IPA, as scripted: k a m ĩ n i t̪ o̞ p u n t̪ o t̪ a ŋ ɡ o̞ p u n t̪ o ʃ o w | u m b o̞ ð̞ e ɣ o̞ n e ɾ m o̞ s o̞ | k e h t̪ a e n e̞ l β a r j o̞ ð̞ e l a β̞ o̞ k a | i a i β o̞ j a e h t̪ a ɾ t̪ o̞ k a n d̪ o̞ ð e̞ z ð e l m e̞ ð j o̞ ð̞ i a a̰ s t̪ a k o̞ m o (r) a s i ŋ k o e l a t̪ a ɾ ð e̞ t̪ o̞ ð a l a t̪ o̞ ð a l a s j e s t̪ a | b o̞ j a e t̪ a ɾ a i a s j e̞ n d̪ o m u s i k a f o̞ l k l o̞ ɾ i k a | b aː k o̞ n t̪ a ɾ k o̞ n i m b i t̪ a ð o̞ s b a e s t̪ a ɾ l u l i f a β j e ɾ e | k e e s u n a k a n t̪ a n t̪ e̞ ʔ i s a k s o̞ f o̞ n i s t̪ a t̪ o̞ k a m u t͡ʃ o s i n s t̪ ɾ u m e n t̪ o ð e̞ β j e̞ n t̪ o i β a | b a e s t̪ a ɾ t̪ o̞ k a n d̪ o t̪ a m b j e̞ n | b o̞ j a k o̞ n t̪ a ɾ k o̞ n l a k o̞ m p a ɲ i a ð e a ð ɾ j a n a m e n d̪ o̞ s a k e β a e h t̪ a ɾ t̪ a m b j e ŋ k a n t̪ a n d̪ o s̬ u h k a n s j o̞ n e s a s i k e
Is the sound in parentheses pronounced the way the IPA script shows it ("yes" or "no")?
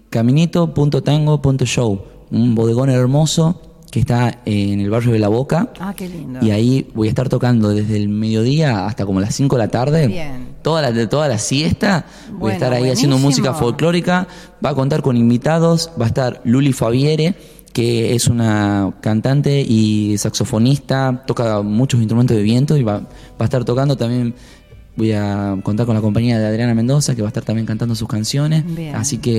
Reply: no